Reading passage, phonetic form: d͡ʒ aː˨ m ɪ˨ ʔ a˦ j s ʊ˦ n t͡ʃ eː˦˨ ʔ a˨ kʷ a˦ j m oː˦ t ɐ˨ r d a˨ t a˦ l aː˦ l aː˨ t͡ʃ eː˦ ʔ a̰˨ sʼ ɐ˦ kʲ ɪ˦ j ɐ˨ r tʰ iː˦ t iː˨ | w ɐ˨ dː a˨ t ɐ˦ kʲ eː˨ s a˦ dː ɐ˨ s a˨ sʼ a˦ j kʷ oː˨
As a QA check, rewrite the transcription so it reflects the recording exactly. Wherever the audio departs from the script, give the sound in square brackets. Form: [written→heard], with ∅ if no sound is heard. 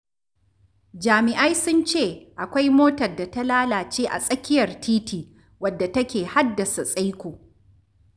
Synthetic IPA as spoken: d͡ʒ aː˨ m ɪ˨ ʔ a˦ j s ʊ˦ n t͡ʃ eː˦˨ ʔ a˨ kʷ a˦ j m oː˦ t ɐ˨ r d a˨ t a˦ l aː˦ l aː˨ t͡ʃ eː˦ ʔ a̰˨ sʼ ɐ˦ kʲ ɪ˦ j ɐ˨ r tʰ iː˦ t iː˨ | w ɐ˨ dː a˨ t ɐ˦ kʲ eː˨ [s→h] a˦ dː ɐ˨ s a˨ sʼ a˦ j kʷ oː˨